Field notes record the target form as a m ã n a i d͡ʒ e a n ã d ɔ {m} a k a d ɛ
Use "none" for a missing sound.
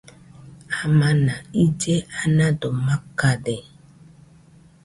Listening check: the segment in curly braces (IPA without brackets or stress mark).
m